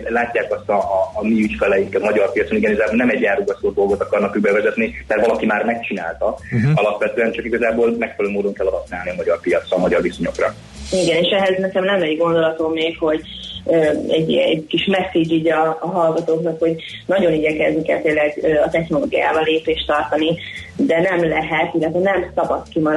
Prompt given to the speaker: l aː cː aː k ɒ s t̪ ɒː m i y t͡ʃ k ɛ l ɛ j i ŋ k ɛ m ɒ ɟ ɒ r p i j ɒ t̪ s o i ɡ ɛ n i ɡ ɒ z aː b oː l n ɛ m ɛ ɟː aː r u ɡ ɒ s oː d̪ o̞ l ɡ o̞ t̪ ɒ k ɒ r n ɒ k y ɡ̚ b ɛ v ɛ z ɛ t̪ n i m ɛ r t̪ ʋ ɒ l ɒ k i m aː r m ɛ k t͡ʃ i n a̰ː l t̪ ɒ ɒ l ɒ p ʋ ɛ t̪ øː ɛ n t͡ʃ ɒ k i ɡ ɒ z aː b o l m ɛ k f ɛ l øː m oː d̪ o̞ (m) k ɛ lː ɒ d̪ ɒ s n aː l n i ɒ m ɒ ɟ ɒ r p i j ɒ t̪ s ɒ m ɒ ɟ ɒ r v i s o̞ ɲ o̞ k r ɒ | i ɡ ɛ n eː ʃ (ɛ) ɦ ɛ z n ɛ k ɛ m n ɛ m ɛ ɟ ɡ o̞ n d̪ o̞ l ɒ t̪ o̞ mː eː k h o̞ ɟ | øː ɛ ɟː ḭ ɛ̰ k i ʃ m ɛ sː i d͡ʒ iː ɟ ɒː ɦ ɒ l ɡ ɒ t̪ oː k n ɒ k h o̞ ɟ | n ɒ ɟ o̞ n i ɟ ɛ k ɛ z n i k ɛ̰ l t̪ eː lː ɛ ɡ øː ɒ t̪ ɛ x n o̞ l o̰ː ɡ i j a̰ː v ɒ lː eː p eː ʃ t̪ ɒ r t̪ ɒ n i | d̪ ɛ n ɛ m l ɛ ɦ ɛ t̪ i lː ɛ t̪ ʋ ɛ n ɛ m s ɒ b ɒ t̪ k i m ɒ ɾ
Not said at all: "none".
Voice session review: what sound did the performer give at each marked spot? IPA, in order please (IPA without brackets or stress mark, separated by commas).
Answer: ŋ, ɛ